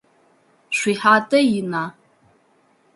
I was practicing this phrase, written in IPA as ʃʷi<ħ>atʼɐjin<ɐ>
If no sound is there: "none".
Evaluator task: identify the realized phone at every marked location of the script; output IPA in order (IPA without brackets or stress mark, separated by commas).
ħ, a